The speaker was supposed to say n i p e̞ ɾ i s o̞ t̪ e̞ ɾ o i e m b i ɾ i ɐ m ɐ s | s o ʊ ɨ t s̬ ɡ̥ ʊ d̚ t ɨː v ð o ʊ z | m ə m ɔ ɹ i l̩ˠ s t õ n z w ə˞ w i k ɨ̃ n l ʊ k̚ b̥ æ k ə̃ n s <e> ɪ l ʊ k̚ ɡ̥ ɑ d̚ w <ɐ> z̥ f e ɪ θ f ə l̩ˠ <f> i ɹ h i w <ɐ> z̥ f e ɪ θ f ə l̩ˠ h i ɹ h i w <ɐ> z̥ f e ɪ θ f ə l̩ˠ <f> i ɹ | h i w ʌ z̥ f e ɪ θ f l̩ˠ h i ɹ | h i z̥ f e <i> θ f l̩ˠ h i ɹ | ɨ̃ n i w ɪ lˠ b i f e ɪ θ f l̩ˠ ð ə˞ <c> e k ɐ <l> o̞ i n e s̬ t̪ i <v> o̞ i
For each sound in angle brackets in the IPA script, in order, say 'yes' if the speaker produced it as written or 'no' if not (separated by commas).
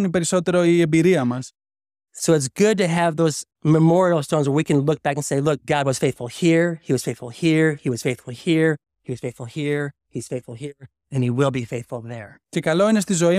yes, no, no, no, no, no, no, yes, yes, no